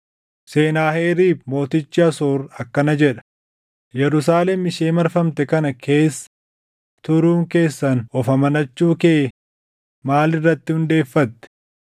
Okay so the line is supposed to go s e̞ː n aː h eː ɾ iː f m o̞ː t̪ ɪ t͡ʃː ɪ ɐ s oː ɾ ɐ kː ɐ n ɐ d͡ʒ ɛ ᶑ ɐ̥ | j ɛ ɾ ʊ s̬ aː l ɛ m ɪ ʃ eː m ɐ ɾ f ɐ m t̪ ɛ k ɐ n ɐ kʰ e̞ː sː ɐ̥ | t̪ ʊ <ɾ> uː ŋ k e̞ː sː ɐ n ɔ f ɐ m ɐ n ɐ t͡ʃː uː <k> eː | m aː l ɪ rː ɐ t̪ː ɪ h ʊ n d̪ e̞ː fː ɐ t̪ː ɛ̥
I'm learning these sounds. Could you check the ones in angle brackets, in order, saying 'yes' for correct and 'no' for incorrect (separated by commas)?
yes, yes